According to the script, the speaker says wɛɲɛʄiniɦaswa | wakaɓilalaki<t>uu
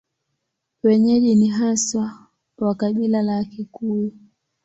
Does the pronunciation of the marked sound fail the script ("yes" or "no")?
yes